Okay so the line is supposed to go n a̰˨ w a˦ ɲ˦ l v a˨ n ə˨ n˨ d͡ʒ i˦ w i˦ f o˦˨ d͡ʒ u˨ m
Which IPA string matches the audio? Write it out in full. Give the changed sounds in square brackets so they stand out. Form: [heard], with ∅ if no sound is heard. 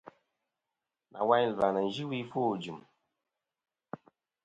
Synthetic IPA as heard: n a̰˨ w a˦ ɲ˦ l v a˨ n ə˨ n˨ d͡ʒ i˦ w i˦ f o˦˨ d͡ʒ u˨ m